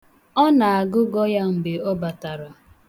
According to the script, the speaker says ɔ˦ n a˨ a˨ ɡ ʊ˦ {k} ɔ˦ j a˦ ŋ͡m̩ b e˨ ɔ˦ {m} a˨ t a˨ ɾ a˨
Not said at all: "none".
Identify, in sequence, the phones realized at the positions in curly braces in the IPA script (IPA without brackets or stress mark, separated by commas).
ɡ, b